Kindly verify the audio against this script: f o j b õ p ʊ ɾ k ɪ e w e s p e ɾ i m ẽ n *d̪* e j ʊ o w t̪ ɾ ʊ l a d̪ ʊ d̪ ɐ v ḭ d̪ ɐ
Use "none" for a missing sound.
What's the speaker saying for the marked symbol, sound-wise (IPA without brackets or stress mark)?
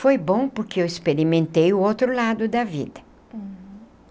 t̪